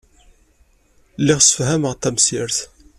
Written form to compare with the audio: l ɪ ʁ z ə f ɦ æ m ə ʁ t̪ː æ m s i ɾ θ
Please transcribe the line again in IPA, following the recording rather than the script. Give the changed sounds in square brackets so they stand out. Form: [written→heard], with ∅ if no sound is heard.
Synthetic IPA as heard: l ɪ ʁ [z→s] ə f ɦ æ m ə ʁ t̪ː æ m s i ɾ θ